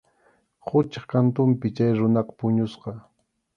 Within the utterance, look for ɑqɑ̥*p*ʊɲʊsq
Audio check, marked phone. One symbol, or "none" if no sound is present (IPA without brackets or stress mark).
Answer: p